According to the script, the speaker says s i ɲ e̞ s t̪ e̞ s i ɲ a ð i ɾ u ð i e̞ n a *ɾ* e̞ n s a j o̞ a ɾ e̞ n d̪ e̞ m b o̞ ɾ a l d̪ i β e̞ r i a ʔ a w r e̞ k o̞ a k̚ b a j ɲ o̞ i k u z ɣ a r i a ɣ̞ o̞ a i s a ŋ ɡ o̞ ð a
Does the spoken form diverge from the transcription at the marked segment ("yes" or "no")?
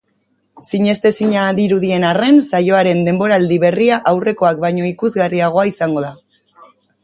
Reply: yes